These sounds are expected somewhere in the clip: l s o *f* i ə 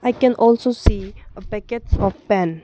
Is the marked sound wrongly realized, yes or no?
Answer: yes